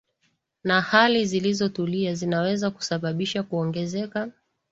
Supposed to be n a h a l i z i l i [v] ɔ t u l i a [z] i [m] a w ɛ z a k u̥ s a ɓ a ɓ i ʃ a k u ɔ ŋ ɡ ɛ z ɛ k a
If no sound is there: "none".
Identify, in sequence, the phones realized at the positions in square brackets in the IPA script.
z, z, n

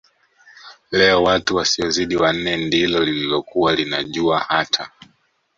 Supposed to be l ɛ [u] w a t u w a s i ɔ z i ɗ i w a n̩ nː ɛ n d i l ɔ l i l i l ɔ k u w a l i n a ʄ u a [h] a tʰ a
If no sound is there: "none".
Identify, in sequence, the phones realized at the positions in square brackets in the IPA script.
ɔ, h

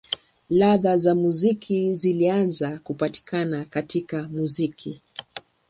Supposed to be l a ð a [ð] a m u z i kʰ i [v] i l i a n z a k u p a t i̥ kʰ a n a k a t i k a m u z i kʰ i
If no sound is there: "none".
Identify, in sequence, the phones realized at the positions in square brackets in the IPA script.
z, z

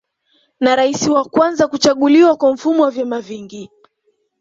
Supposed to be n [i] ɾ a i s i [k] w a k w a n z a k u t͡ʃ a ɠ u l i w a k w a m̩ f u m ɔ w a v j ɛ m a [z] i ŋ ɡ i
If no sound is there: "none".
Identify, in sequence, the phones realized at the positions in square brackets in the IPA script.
a, none, v

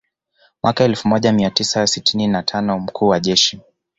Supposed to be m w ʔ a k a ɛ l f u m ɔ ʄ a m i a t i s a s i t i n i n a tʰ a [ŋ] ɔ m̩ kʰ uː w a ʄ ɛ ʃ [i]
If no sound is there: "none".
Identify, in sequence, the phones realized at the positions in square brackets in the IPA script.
n, i

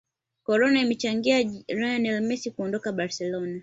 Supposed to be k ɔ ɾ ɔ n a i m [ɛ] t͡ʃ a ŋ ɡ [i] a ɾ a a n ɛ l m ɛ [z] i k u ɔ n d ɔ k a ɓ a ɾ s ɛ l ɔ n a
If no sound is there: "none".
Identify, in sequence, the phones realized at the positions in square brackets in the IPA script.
ɛ, i, s

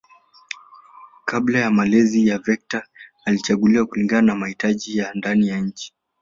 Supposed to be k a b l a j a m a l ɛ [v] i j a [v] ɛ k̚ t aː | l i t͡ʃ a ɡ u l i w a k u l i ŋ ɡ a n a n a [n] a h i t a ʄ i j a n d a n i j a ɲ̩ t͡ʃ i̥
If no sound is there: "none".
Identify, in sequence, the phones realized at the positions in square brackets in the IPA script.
z, v, m

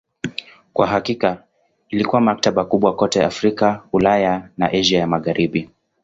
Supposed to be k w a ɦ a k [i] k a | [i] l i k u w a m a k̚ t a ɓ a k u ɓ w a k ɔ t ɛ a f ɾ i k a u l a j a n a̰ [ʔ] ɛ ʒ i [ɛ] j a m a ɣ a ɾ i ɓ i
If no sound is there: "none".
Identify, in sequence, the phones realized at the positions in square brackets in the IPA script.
i, i, ʔ, a

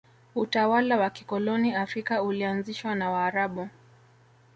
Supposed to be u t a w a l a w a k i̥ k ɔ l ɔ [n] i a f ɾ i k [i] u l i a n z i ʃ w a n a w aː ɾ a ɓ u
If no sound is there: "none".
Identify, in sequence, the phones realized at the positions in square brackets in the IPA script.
n, a

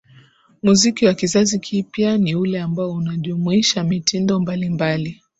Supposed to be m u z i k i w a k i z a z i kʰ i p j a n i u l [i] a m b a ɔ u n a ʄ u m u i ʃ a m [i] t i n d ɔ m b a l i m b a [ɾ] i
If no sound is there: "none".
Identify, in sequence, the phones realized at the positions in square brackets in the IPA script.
ɛ, i, l

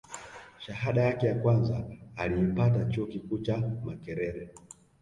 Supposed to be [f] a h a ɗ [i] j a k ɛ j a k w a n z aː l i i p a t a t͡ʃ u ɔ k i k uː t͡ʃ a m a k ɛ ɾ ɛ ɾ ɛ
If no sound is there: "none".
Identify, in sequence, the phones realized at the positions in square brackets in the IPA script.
ʃ, a

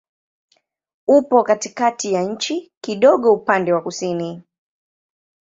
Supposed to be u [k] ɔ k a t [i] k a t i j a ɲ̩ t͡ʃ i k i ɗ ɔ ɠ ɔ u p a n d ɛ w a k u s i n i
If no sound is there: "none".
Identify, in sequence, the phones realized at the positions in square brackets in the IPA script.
p, i

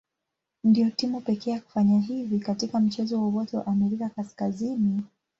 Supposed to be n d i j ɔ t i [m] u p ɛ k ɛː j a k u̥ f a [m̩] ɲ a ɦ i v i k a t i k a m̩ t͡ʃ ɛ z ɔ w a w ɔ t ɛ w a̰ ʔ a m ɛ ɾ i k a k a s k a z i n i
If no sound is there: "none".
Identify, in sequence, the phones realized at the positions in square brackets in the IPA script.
m, none

